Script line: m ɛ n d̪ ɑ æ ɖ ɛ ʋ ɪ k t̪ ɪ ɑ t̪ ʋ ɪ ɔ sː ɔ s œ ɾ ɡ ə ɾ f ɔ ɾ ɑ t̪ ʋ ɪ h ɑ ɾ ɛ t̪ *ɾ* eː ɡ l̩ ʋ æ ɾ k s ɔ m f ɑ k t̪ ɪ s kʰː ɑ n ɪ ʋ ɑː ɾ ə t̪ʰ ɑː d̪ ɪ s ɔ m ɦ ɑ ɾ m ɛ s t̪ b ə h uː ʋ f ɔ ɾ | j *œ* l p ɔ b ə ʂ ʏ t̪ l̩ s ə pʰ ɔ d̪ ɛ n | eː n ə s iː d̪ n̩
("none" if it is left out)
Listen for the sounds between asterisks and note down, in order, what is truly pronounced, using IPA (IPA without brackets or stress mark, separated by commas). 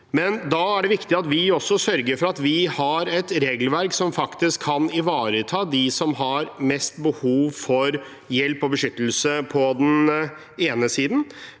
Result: ɾ, ɛ